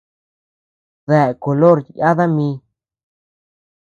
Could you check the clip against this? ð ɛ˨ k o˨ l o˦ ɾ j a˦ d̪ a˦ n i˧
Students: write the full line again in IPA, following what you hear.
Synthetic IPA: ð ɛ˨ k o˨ l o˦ ɾ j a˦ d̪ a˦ m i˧